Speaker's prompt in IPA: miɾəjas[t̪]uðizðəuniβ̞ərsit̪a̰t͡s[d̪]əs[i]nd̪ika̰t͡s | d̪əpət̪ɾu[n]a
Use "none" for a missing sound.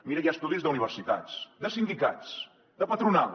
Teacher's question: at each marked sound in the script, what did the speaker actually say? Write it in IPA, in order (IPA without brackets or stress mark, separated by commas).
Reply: t̪, d̪, i, n